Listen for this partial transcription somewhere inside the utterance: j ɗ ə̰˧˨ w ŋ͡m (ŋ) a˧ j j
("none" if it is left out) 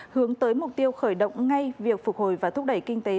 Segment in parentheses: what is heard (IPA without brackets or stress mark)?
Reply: ŋ